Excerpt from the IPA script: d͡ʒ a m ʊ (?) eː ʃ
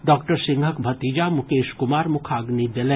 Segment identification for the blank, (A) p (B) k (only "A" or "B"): B